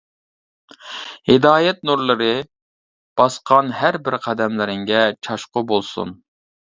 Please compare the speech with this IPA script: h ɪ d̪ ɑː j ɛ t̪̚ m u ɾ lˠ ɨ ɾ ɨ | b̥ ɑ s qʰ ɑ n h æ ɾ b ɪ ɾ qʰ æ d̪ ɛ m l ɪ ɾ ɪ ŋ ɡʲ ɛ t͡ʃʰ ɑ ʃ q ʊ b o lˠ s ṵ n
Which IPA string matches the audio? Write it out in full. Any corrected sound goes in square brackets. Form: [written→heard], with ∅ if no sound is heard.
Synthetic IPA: h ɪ d̪ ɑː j ɛ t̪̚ [m→n] u ɾ lˠ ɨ ɾ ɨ | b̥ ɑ s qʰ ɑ n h æ ɾ b ɪ ɾ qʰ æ d̪ ɛ m l ɪ ɾ ɪ ŋ ɡʲ ɛ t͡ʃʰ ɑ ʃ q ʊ b o lˠ s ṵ n

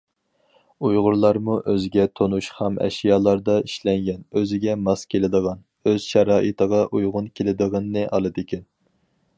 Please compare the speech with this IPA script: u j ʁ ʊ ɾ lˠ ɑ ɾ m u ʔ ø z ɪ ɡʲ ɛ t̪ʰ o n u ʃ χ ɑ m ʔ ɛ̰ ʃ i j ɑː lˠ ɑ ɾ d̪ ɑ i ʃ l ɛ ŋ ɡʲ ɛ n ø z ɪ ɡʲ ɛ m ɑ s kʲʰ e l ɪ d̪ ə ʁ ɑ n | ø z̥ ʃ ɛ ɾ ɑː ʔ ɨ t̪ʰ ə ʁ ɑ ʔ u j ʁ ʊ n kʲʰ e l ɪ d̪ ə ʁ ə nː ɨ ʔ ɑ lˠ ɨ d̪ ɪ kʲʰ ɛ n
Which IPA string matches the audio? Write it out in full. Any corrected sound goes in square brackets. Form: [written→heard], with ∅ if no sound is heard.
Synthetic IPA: u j ʁ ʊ ɾ lˠ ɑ ɾ m u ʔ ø z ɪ ɡʲ ɛ t̪ʰ o n u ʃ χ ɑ m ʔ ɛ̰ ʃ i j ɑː lˠ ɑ ɾ d̪ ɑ i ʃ l ɛ ŋ ɡʲ ɛ n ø z ɪ ɡʲ ɛ m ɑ s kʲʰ e l ɪ d̪ ə ʁ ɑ n | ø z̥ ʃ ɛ ɾ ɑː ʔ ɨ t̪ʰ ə ʁ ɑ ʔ u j ʁ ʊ n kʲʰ e l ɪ d̪ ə ʁ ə nː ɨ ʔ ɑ lˠ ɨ d̪ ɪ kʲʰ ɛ n

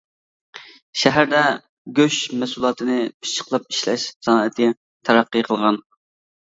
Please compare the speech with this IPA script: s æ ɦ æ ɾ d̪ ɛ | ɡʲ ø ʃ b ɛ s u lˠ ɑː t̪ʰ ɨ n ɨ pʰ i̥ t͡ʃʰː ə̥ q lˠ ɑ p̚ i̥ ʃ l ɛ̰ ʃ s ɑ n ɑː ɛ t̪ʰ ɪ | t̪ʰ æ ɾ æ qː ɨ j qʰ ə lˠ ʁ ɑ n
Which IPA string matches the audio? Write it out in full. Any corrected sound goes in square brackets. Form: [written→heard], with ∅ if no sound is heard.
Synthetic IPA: [s→ʃ] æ ɦ æ ɾ d̪ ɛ | ɡʲ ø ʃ [b→m] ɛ s u lˠ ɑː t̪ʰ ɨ n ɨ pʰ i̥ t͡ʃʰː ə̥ q lˠ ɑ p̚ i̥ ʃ l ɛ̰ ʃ s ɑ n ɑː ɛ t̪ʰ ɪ | t̪ʰ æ ɾ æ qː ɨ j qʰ ə lˠ ʁ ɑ n

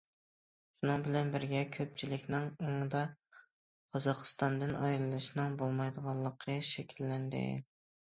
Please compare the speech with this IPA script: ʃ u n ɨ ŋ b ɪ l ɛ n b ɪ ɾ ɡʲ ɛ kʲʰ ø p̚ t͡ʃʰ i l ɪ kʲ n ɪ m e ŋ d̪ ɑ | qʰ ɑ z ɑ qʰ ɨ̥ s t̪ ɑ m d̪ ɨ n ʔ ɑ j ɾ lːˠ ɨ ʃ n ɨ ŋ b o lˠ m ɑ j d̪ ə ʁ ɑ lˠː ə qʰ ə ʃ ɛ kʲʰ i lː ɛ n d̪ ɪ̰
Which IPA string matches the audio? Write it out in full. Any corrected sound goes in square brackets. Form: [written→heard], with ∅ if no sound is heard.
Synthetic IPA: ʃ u n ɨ ŋ b ɪ l ɛ n b ɪ ɾ ɡʲ ɛ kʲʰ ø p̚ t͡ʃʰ i l ɪ kʲ n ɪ [m→ŋ] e ŋ d̪ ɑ | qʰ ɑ z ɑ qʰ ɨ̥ s t̪ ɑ [m→n] d̪ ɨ n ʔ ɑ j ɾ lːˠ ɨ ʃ n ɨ ŋ b o lˠ m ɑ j d̪ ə ʁ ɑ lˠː ə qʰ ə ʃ ɛ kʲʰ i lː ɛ n d̪ ɪ̰

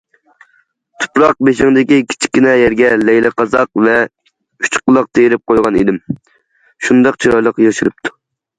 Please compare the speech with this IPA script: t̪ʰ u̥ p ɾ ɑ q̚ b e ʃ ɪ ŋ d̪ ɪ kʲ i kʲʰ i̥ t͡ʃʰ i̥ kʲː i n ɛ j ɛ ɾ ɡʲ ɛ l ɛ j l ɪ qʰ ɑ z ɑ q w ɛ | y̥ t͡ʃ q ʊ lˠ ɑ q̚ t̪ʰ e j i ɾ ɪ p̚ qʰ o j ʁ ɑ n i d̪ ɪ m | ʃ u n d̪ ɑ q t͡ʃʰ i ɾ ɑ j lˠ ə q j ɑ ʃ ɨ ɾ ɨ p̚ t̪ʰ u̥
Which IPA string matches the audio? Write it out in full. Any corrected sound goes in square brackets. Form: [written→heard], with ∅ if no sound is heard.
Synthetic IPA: t̪ʰ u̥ p ɾ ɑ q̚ b e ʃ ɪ ŋ d̪ ɪ kʲ i kʲʰ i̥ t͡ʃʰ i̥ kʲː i n ɛ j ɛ ɾ ɡʲ ɛ l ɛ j l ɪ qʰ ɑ z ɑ q [w→v] ɛ | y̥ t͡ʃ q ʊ lˠ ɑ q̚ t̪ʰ e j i ɾ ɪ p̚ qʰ o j ʁ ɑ n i d̪ ɪ m | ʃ u n d̪ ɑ q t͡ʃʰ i ɾ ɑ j lˠ ə q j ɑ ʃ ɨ ɾ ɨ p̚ t̪ʰ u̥

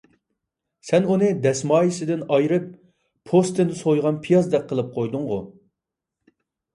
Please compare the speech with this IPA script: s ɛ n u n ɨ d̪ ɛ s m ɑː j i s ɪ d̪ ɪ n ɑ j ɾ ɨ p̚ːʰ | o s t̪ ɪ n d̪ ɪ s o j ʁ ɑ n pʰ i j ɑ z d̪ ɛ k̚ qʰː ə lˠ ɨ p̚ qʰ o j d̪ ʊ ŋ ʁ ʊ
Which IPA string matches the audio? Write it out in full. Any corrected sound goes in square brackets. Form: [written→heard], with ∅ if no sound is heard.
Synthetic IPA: s ɛ n u n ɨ d̪ ɛ s m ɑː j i s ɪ d̪ ɪ n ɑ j ɾ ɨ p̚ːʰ | o s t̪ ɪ n d̪ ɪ s o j ʁ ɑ n pʰ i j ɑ z d̪ ɛ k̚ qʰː ə lˠ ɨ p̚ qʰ o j d̪ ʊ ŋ ʁ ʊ

